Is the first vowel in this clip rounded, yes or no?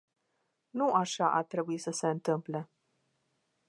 yes